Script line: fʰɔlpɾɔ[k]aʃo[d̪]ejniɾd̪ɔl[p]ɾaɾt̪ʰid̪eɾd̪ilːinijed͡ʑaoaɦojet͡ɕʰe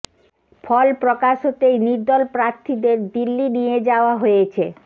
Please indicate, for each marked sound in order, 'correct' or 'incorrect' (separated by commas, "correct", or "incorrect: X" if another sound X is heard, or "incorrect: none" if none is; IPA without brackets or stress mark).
correct, incorrect: t̪, correct